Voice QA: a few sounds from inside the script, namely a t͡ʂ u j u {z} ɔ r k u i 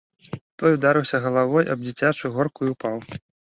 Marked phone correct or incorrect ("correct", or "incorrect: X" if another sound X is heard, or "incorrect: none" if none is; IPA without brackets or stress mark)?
incorrect: ɣ